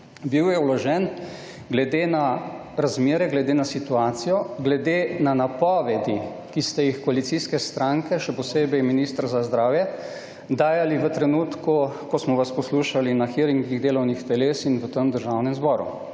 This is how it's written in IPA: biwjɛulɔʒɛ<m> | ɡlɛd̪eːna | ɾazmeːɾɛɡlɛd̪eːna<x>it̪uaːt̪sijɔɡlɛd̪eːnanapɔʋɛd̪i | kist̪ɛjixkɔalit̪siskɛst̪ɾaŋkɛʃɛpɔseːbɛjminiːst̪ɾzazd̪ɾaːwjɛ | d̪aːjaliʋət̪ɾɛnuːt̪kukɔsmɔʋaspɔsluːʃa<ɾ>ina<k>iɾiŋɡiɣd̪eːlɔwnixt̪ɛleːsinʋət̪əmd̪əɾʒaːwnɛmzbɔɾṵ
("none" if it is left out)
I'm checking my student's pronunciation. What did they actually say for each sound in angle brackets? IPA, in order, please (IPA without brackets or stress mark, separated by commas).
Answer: n, s, l, x